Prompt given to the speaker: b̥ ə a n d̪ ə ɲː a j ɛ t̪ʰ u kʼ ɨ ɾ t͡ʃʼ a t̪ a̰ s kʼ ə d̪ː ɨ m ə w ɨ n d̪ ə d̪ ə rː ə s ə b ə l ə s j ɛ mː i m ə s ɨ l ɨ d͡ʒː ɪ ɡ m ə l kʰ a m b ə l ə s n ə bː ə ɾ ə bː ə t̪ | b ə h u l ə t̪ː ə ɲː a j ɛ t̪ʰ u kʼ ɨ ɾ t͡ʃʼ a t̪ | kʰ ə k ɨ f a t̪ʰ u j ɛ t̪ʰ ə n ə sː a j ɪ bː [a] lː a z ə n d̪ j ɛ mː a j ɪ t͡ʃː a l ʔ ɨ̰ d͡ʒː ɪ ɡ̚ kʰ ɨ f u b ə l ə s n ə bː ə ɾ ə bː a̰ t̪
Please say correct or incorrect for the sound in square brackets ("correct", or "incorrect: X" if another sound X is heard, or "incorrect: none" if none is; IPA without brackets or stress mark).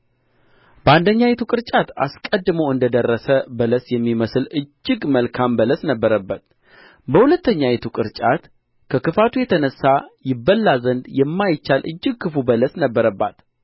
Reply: incorrect: ə